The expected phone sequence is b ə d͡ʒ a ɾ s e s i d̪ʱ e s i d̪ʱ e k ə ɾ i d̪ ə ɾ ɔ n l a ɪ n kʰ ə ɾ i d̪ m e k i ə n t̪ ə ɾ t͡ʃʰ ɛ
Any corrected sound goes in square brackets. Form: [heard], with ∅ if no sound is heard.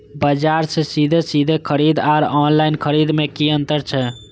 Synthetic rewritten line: b ə d͡ʒ a ɾ s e s i d̪ʱ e s i d̪ʱ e [kʰ] ə ɾ i d̪ [a] ɾ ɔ n l a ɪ n kʰ ə ɾ i d̪ m e k i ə n t̪ ə ɾ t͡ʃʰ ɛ